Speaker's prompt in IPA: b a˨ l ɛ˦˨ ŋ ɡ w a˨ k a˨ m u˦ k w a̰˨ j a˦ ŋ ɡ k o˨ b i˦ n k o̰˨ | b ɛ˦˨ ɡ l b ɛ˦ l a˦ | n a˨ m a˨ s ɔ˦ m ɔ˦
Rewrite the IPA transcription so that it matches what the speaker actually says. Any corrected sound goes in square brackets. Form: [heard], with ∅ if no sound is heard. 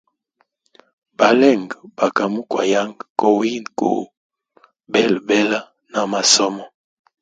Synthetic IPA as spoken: b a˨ l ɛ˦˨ ŋ ɡ [b] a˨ k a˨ m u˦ k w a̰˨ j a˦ ŋ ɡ k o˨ [w] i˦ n k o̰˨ | b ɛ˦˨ [∅] l b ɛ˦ l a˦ | n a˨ m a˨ s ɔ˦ m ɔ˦